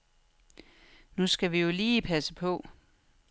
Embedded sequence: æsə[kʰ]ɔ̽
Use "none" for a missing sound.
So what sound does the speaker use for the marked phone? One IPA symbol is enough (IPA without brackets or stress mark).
pʰ